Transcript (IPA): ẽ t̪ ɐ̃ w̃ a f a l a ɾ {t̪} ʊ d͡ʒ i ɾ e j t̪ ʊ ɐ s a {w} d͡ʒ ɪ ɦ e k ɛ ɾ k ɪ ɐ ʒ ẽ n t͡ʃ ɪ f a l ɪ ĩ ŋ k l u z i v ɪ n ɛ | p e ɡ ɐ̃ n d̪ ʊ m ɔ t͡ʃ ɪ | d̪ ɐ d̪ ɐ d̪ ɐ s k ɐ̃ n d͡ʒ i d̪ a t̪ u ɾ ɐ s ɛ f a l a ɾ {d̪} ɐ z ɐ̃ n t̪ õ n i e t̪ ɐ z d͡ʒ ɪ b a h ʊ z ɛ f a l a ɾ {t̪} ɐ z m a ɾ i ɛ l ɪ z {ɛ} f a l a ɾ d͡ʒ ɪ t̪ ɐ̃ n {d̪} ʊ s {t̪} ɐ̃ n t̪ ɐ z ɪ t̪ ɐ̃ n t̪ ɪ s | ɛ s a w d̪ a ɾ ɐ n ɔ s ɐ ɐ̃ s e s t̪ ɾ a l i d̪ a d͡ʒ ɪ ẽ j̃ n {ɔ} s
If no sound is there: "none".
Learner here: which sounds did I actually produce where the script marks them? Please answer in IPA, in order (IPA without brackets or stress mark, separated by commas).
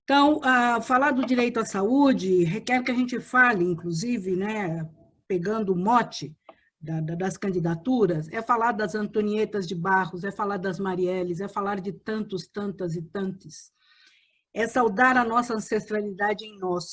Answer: d̪, u, d̪, d̪, ɛ, t̪, t̪, ɔ